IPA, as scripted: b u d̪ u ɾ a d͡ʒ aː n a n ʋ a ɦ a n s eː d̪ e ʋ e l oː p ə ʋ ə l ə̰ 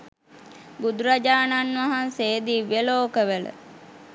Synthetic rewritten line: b u d̪ u ɾ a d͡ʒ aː n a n ʋ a ɦ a n s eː d̪ i ʋ e l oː k ə ʋ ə l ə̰

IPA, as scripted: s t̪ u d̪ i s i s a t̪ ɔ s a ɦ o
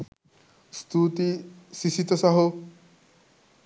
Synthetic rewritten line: s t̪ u t̪ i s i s i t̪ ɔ s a ɦ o

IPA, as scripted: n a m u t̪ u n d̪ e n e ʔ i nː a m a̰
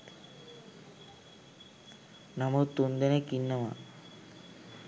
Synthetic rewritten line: n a m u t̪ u n d̪ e n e k i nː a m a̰

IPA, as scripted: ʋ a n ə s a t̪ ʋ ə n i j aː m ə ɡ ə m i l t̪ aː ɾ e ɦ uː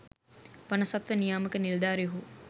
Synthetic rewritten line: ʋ a n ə s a t̪ ʋ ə n i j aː m ə k ə n i l d̪ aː ɾ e ɦ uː

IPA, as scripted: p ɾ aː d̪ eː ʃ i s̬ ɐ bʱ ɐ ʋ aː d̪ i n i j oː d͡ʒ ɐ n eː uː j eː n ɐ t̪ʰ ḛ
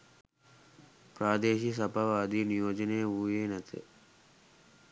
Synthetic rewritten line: p ɾ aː d̪ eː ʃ i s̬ ɐ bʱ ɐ ʋ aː d̪ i n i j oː d͡ʒ ɐ n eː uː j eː n ɐ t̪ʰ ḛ

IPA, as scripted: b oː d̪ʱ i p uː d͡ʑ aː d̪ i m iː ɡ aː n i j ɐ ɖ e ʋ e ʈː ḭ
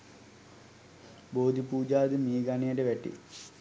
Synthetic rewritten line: b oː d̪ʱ i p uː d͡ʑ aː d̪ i m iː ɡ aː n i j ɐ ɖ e ʋ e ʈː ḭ

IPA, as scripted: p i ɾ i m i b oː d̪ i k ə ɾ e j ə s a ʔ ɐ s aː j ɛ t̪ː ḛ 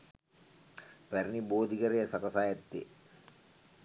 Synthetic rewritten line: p æ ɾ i n i b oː d̪ i k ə ɾ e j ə s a k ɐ s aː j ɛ t̪ː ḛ

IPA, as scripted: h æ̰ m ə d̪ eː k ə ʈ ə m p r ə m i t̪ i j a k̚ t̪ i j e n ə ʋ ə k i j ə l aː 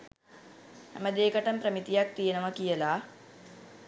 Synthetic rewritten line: h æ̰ m ə d̪ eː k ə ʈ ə m p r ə m i t̪ i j a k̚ t̪ i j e n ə ʋ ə k i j ə l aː

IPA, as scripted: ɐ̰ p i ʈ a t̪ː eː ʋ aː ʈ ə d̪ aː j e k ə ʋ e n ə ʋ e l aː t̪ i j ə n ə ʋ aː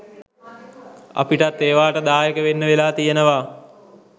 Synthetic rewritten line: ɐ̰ p i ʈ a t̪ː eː ʋ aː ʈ ə d̪ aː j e k ə ʋ e nː ə ʋ e l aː t̪ i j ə n ə ʋ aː

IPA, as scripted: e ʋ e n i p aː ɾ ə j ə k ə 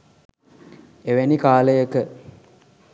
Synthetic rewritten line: e ʋ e n i k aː l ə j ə k ə

